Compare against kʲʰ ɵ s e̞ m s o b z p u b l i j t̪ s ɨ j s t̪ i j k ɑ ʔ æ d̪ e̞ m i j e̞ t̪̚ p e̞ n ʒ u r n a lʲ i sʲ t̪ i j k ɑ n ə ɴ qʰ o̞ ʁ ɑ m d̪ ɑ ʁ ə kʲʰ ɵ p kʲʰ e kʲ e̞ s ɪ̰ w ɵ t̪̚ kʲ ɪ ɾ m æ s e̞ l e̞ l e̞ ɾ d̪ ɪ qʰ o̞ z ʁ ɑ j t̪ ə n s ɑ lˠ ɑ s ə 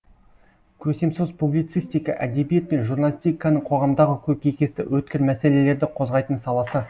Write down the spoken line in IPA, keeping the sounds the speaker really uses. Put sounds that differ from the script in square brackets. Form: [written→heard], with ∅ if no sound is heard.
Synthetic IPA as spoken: kʲʰ ɵ s e̞ m s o [b→∅] z p u b l i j t̪ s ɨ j s t̪ i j k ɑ ʔ æ d̪ e̞ [m→b] i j e̞ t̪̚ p e̞ n ʒ u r n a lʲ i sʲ t̪ i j k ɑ n ə ɴ qʰ o̞ ʁ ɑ m d̪ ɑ ʁ ə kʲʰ ɵ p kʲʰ e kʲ e̞ s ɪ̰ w ɵ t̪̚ kʲ ɪ ɾ m æ s e̞ l e̞ l e̞ ɾ d̪ ɪ qʰ o̞ z ʁ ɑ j t̪ ə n s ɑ lˠ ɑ s ə

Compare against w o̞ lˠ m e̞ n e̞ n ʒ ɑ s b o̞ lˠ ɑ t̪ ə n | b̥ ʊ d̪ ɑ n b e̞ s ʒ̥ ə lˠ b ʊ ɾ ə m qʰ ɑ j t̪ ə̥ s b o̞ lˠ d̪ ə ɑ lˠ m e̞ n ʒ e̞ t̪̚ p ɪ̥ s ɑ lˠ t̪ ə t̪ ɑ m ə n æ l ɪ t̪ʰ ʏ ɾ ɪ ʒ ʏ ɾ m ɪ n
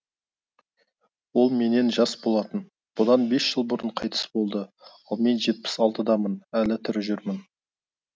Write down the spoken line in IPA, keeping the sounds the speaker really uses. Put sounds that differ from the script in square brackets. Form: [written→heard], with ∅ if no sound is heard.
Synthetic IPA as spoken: w o̞ lˠ m e̞ n e̞ n ʒ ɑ s b o̞ lˠ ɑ t̪ ə n | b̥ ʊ d̪ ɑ n b e̞ s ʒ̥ ə lˠ b ʊ ɾ ə [m→ɴ] qʰ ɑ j t̪ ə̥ s b o̞ lˠ d̪ ə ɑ lˠ m e̞ n ʒ e̞ t̪̚ p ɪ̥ s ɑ lˠ t̪ ə [t̪→d̪] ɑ m ə n æ l ɪ t̪ʰ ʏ ɾ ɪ ʒ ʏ ɾ m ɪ n

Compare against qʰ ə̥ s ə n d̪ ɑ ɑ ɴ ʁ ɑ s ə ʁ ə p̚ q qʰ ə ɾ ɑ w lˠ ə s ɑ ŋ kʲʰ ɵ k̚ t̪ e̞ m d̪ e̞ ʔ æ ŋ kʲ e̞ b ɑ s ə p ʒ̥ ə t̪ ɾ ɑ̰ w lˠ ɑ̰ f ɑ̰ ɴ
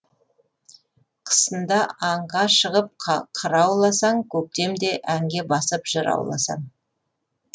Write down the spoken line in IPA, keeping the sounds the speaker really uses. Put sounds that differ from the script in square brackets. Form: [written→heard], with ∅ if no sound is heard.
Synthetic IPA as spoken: qʰ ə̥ s ə n d̪ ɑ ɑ ɴ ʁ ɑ [s→ʃ] ə ʁ ə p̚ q qʰ ə ɾ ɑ w lˠ [ə→ɑ] s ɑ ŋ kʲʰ ɵ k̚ t̪ e̞ m d̪ e̞ ʔ æ ŋ [kʲ→ɡʲ] e̞ b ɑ s ə p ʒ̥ ə [t̪→∅] ɾ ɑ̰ w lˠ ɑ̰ [f→s] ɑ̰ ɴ

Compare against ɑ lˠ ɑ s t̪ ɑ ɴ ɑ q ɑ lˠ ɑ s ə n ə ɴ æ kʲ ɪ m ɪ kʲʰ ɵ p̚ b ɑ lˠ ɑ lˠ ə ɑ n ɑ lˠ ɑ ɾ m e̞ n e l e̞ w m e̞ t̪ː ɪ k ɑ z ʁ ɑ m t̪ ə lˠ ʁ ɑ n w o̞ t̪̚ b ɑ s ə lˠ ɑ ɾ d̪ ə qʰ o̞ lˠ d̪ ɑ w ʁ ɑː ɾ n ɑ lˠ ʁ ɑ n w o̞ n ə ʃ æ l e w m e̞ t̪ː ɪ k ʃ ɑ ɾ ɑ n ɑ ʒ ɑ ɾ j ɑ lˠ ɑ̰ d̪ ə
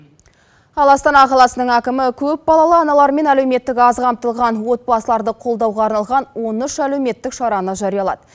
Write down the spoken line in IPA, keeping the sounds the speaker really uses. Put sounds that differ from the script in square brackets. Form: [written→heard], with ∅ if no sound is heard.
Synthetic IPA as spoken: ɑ lˠ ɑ s t̪ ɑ [ɴ→n] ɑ q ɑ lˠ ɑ s ə n ə ɴ æ kʲ ɪ m ɪ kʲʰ ɵ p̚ b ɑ lˠ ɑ lˠ ə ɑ n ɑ lˠ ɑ ɾ m e̞ n [e→æ] l e̞ w m e̞ t̪ː ɪ k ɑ z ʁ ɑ m t̪ ə lˠ ʁ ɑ n w o̞ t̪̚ b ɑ s ə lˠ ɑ ɾ d̪ ə qʰ o̞ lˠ d̪ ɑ w ʁ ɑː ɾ n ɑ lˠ ʁ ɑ n w o̞ n ə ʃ æ l e w m e̞ t̪ː ɪ k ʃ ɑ ɾ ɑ n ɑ ʒ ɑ ɾ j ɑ lˠ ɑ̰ d̪ ə

